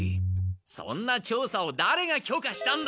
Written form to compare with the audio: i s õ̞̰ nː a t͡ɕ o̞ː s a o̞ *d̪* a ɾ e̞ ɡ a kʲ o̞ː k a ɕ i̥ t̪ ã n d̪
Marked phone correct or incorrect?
correct